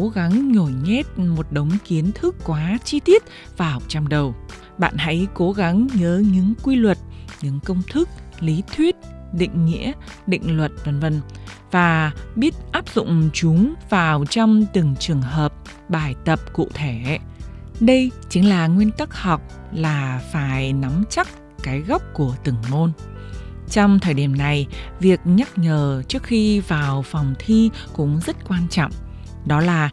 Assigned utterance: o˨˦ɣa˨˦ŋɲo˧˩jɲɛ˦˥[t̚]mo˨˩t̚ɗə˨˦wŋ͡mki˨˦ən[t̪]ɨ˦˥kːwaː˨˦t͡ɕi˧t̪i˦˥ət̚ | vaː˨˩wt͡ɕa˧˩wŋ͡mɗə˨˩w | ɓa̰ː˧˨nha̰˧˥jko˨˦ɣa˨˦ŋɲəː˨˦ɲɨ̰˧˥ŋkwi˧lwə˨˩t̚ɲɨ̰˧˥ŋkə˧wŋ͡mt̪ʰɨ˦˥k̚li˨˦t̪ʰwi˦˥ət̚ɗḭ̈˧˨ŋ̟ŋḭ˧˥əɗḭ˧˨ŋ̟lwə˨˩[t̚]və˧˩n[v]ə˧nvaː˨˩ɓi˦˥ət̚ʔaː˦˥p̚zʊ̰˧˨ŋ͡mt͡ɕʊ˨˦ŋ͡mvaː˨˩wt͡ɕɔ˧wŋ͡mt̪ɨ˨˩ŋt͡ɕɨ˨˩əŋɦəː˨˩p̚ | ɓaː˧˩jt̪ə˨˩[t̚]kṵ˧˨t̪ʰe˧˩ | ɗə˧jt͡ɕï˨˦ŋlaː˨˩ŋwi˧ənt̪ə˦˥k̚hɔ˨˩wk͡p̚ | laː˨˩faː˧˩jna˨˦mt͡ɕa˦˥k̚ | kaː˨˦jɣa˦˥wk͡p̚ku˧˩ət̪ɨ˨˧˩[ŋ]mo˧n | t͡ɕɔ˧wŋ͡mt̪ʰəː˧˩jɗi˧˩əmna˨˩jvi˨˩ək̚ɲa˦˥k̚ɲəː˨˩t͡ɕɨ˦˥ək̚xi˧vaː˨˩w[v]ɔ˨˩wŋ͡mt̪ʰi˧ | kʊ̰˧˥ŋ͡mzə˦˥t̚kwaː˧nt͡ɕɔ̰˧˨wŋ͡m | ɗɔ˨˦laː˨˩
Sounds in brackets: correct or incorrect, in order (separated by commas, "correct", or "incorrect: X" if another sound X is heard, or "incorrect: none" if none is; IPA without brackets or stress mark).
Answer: correct, incorrect: t̪ʰ, correct, correct, incorrect: p̚, correct, incorrect: f